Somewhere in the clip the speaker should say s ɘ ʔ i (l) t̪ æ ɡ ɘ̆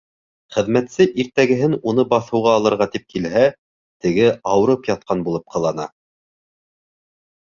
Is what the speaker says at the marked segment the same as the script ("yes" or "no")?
no